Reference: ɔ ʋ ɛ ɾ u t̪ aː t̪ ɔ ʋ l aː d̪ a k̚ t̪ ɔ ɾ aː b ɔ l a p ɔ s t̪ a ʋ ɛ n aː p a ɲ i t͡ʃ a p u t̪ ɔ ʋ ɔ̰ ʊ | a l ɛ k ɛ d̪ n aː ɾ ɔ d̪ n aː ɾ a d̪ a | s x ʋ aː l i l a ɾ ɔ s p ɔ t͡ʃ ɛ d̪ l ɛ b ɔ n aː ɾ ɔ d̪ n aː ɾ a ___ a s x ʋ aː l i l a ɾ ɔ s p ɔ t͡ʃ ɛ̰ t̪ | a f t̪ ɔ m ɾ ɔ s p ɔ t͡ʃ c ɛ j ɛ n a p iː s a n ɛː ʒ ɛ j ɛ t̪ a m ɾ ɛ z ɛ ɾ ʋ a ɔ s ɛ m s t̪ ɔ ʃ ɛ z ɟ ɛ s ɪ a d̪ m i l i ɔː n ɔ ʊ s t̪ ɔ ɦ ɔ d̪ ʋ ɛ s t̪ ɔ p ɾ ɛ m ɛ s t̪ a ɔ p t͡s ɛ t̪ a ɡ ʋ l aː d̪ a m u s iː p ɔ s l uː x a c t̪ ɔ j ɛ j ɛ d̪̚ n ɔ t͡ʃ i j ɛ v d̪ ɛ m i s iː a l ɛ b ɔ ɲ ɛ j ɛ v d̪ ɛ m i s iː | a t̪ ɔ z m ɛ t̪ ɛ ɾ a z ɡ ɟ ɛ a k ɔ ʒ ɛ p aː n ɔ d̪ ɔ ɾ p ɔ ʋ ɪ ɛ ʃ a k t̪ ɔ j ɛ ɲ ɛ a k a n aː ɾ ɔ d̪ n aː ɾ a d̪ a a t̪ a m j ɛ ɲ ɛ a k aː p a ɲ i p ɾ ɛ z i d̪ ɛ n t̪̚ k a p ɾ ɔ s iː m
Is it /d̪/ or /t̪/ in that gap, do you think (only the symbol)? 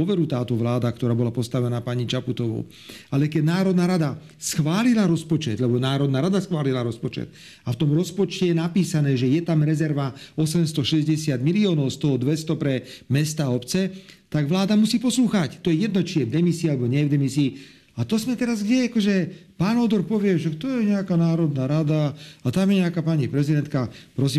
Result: d̪